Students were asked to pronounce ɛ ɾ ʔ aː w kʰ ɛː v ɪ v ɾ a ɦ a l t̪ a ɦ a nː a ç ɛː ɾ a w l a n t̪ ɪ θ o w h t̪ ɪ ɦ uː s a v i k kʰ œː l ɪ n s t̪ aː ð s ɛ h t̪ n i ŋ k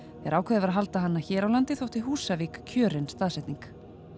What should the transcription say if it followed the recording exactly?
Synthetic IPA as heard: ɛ ɾ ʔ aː w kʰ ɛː ð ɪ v ɾ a ɦ a l t̪ a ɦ a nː a ç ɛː ɾ a w l a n t̪ ɪ θ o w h t̪ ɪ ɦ uː s a v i k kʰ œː ɾ ɪ n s t̪ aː ð s ɛ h t̪ n i ŋ k